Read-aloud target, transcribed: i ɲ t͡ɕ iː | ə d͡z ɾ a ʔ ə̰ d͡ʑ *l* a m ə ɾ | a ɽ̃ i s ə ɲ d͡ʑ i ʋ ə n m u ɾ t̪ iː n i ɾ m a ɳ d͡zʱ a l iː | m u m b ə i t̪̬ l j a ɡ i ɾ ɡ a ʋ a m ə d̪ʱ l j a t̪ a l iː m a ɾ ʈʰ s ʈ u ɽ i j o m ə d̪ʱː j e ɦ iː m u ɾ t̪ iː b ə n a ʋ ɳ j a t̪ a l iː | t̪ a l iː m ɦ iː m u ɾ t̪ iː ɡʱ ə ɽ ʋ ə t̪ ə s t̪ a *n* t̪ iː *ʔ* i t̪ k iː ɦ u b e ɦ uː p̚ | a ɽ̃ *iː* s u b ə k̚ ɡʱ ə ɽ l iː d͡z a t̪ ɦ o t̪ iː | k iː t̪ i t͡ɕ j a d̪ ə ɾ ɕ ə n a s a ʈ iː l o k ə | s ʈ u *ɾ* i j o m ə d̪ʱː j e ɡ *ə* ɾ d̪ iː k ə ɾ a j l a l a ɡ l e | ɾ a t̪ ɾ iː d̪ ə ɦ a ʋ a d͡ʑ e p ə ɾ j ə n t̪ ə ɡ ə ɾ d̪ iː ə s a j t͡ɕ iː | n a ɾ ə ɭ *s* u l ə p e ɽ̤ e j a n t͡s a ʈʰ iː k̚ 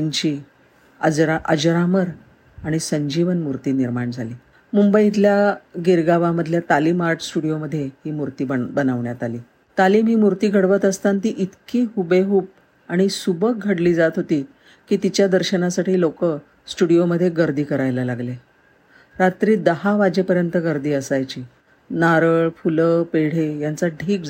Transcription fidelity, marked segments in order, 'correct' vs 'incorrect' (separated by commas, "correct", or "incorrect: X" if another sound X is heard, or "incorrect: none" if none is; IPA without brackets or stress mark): incorrect: ɾ, correct, correct, incorrect: i, incorrect: ɽ, correct, incorrect: f